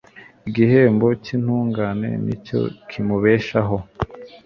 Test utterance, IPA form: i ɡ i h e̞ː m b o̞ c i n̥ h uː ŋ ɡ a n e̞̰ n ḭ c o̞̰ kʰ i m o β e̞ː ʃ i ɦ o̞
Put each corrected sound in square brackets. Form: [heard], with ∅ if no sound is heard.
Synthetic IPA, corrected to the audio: i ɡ i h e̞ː m b o̞ c i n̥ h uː ŋ ɡ a n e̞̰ n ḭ c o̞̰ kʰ i m [u] β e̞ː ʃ [a] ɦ o̞